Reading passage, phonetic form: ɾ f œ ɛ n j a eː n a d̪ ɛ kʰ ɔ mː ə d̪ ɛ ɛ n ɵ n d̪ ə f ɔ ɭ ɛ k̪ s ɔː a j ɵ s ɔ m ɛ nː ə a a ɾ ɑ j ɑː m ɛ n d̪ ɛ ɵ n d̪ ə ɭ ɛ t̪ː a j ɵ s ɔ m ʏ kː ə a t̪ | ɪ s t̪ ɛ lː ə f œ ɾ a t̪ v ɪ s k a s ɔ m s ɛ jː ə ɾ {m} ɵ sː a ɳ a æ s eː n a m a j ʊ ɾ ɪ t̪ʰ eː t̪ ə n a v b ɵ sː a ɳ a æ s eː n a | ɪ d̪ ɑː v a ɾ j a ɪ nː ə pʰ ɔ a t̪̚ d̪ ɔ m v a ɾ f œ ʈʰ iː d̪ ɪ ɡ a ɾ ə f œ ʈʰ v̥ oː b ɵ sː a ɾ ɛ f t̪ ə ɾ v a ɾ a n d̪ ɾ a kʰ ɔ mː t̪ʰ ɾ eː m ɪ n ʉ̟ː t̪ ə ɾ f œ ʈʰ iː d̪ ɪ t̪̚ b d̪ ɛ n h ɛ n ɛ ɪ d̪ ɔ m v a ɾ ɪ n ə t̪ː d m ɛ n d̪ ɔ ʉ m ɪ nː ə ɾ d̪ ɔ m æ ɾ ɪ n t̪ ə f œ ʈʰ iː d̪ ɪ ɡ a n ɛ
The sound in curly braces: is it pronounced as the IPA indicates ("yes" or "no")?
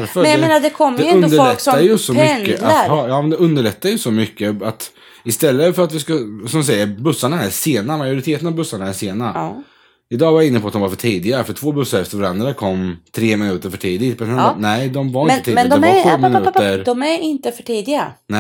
no